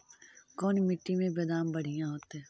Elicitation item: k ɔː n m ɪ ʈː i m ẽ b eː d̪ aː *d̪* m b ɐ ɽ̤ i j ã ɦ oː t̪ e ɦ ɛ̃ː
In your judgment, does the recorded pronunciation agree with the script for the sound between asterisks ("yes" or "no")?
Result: no